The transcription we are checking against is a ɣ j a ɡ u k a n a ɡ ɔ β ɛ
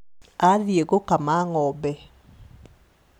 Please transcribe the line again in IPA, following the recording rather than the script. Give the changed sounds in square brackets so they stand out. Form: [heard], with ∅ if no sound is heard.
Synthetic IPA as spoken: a [ð] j [e] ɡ [o] k a [m] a [ŋ] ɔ [b] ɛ

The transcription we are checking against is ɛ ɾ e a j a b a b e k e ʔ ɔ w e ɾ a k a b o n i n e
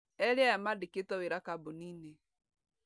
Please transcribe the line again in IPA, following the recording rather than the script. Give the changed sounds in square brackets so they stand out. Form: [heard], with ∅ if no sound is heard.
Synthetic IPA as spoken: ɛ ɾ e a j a [m] a [d] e k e [t] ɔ w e ɾ a k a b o n i n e

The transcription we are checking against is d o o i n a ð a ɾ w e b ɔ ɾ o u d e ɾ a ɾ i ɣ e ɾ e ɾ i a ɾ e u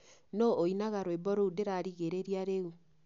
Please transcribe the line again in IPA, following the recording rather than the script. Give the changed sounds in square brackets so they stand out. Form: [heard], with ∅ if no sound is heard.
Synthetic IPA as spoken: [n] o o i n a [ɣ] a ɾ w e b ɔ ɾ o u d e ɾ a ɾ i ɣ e ɾ e ɾ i a ɾ e u

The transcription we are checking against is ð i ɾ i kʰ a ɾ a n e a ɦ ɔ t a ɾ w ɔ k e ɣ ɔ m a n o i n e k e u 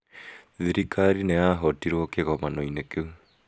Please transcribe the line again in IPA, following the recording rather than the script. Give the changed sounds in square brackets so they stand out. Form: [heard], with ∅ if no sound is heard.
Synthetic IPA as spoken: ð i ɾ i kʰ a ɾ [i] n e a ɦ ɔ t [i] ɾ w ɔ k e ɣ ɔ m a n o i n e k e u

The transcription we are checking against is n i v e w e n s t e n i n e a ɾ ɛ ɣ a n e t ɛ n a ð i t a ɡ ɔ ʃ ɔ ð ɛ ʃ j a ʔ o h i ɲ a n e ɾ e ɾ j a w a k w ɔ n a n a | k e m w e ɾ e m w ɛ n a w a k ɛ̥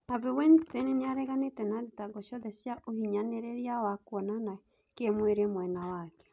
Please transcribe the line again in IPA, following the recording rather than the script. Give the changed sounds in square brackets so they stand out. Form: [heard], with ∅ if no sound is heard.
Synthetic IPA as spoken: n [a] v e w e n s t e n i n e a ɾ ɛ ɣ a n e t ɛ n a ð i t a ɡ ɔ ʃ ɔ ð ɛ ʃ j a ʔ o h i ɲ a n e ɾ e ɾ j a w a k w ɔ n a n a | k e m w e ɾ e m w ɛ n a w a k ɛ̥

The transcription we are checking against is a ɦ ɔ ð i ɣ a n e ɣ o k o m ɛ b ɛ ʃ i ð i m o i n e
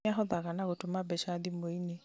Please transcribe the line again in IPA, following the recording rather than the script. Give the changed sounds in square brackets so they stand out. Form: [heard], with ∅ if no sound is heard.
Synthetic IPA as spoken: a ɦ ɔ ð [a] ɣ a n [a] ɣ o [t] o m [a] b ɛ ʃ [a] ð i m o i n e

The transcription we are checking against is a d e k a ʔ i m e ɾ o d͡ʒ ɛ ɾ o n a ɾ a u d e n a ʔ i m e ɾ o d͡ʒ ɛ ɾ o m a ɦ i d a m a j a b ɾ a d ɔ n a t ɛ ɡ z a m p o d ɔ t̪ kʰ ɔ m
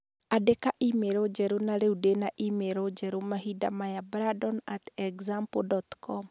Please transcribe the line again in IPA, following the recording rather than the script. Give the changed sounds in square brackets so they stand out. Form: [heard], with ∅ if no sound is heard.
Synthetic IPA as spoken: a d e k a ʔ i m e ɾ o d͡ʒ ɛ ɾ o n a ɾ [e] u d e n a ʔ i m e ɾ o d͡ʒ ɛ ɾ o m a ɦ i d a m a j a b ɾ a d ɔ n a t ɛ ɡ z a m p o d ɔ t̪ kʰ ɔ m

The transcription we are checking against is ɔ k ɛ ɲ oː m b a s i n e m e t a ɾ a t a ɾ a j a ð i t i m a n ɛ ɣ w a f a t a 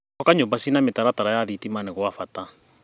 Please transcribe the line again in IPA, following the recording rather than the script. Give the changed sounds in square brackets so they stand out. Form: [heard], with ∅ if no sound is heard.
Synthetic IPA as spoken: ɔ k [a] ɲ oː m b a s i n [a] m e t a ɾ a t a ɾ a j a ð i t i m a n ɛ ɣ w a f a t a

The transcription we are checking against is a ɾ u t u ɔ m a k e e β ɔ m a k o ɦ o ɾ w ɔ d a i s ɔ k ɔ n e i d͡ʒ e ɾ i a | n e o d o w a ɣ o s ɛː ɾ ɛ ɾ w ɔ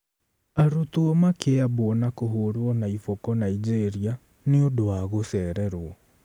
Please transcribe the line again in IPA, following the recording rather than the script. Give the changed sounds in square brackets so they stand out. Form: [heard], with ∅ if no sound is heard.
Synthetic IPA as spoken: a ɾ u t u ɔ m a k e [a] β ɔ [n] a k o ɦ o ɾ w ɔ [n] a i [f] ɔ k ɔ n [a] i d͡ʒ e ɾ i a | n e o d o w a ɣ o s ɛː ɾ ɛ ɾ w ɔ

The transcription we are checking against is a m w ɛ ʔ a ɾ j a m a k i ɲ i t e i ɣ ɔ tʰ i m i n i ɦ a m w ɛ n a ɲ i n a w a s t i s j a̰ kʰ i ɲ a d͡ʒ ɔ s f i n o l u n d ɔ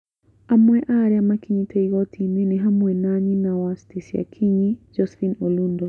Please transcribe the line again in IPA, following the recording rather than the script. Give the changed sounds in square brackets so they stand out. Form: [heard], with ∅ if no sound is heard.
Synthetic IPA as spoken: a m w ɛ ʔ a ɾ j a m a k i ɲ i t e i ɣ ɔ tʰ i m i n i ɦ a m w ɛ n a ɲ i n a w a s t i s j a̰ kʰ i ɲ [i] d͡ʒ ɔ s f i n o l u n d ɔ

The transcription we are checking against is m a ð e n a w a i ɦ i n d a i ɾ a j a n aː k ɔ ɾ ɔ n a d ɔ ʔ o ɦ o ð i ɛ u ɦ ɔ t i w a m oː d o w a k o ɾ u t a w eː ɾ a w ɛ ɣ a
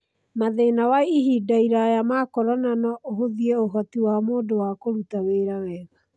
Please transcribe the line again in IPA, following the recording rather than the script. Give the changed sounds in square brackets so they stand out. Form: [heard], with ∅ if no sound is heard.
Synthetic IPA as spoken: m a ð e n a w a i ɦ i [∅] d a i ɾ a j a [m] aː k ɔ ɾ ɔ n a [n] ɔ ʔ o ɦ o ð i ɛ [o] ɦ ɔ t i w a m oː d o w a k o ɾ u t a w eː ɾ a w ɛ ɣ a

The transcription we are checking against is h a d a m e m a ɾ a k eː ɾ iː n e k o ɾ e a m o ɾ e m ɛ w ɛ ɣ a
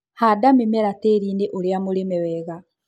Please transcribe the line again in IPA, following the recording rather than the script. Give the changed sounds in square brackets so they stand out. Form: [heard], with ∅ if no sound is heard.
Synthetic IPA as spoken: h a d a m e m [ɛ] ɾ a [t] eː ɾ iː n e [ʔ] o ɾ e a m o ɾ e m ɛ w ɛ ɣ a

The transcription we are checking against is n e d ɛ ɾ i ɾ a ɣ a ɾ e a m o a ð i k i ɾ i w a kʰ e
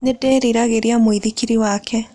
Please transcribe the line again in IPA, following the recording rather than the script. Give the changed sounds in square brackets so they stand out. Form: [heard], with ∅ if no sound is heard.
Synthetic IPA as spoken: n e d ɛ ɾ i ɾ a ɣ [e] ɾ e a m o [i] ð i k i ɾ i w a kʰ [ɛ]

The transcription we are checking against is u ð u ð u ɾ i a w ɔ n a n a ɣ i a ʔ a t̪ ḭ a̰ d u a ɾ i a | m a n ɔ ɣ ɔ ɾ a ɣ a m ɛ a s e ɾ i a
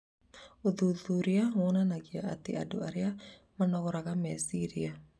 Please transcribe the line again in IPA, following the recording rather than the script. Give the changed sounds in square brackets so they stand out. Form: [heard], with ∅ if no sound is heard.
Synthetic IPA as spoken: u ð u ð u ɾ i a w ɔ n a n a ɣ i a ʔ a t̪ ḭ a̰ d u a ɾ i a | m a n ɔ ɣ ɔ ɾ a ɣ a m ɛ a s [i] ɾ i a

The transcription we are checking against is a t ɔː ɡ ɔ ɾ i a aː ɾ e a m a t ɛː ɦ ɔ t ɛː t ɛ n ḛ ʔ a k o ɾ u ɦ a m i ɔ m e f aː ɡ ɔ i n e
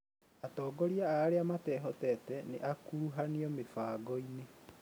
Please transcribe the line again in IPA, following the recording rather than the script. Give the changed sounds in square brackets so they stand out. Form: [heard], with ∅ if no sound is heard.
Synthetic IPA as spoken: a t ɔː ɡ ɔ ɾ i a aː ɾ e a m a t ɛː ɦ ɔ t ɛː t ɛ n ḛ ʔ a k [u] ɾ u ɦ a [n] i ɔ m e f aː ɡ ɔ i n e

